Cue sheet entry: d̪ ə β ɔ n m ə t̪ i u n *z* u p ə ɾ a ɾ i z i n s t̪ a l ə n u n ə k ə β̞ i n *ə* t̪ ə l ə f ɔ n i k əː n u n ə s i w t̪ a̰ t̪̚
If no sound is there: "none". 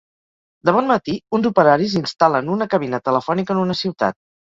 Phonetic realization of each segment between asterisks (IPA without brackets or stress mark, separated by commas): z, ə